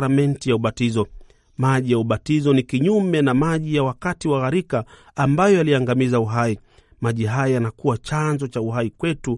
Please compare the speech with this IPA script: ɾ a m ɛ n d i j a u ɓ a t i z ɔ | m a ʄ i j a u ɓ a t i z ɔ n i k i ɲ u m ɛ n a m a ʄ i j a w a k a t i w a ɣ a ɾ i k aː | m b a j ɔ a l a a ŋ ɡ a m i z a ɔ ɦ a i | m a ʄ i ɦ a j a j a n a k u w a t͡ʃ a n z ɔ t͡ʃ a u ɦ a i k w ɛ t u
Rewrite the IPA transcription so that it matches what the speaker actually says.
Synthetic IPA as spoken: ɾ a m ɛ n t i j a u ɓ a t i z ɔ | m a ʄ i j a u ɓ a t i z ɔ n i k i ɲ u m ɛ n a m a ʄ i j a w a k a t i w a ɣ a ɾ i k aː | m b a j ɔ a l i a ŋ ɡ a m i z a u ɦ a i | m a ʄ i ɦ a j a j a n a k u w a t͡ʃ a n z ɔ t͡ʃ a u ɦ a i k w ɛ t u